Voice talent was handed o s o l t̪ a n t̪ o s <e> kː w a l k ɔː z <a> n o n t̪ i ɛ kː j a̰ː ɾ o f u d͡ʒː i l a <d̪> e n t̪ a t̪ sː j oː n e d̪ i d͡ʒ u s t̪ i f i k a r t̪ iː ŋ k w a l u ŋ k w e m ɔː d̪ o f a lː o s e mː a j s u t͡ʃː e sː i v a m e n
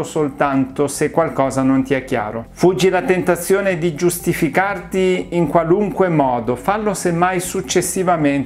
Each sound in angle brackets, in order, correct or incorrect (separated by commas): correct, correct, incorrect